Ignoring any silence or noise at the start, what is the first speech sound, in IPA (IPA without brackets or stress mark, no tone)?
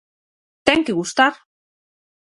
t̪